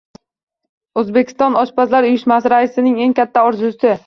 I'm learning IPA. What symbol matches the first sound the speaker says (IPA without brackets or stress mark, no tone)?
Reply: ɵ